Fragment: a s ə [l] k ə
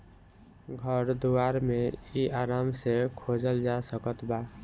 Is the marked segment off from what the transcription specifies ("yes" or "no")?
yes